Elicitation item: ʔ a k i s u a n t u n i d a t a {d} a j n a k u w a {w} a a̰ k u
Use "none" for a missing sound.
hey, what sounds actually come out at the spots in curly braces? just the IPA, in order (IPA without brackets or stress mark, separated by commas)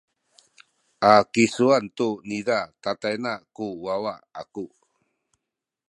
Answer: t, w